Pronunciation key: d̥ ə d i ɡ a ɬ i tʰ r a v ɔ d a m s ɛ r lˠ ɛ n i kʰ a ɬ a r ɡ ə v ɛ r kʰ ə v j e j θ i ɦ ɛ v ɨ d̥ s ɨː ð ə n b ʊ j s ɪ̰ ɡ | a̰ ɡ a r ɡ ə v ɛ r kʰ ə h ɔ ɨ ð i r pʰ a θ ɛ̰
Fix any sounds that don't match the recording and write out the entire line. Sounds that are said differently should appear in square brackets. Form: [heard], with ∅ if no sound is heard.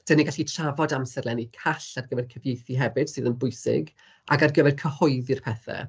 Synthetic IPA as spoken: d̥ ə [n] i ɡ a ɬ i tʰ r a v ɔ d a m s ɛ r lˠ ɛ n i kʰ a ɬ a r ɡ ə v ɛ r kʰ ə v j e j θ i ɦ ɛ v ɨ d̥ s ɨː ð ə n b ʊ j s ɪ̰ ɡ | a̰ ɡ a r ɡ ə v ɛ r kʰ ə h ɔ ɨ ð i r pʰ [ɛ] θ ɛ̰